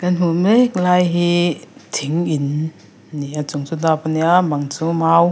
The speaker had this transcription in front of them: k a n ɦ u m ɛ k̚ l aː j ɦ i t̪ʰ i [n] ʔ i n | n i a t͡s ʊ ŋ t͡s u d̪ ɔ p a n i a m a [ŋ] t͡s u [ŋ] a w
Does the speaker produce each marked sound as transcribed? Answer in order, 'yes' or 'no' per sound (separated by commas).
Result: no, yes, no